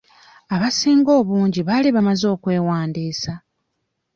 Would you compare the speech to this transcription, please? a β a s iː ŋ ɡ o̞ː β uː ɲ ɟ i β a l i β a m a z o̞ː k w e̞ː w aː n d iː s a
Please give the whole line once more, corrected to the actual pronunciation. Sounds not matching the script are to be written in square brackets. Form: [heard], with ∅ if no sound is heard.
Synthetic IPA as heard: a β a s iː ŋ ɡ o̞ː β uː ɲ ɟ i β a l i β a m a z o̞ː k w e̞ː w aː n d iː s a